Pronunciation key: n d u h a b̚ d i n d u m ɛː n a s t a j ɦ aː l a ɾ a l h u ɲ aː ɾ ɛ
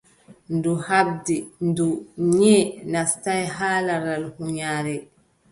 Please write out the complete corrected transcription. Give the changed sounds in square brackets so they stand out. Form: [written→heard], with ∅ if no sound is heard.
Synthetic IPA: n d u h a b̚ d i n d u [m→ɲ] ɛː n a s t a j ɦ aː l a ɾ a l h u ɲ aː ɾ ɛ